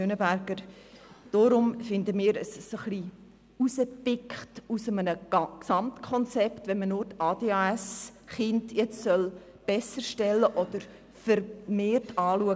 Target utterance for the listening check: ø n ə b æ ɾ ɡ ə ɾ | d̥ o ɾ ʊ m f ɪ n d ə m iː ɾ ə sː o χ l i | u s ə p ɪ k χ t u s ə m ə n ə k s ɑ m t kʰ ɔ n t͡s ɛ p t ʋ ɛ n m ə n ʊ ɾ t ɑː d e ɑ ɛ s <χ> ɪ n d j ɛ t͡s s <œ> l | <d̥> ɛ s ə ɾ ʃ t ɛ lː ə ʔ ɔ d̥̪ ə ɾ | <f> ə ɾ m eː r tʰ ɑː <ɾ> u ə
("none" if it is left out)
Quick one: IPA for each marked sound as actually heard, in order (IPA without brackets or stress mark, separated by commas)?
χ, œ, b̥, f, l